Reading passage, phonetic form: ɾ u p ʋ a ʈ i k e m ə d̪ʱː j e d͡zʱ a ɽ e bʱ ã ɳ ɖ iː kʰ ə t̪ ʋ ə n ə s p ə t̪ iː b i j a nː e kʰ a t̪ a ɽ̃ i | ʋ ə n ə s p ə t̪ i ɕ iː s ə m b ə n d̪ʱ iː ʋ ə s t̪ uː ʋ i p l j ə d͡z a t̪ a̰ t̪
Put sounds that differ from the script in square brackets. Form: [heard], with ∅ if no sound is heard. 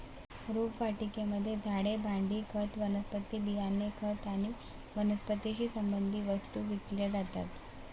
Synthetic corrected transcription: ɾ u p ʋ a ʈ i k e m ə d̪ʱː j e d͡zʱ a ɽ e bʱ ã ɳ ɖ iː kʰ ə t̪ ʋ ə n ə s p ə t̪ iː b i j a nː e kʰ [ə] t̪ a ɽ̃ i | ʋ ə n ə s p ə t̪ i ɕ iː s ə m b ə n d̪ʱ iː ʋ ə s t̪ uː ʋ i [k] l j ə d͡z a t̪ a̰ t̪